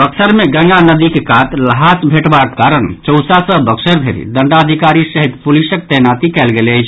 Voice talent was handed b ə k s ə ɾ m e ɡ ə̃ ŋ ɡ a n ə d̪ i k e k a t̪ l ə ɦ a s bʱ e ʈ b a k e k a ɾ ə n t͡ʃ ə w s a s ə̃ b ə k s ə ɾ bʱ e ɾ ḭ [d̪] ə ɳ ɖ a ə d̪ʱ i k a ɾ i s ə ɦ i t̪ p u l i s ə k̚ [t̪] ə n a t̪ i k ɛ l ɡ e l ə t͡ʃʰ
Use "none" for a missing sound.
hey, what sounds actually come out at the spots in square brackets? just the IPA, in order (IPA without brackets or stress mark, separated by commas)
d̪, t̪